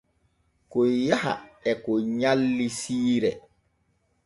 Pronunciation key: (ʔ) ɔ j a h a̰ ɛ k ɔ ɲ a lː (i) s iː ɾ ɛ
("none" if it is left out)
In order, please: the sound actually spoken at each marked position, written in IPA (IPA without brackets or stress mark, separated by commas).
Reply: k, i